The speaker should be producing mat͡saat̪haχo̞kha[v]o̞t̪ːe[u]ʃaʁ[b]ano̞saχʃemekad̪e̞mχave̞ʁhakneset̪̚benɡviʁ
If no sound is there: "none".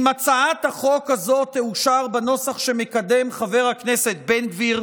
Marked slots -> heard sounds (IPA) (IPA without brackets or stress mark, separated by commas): z, u, b